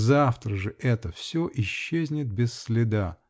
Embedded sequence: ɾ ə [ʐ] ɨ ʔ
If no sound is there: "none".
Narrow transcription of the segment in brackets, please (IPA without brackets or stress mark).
ʐ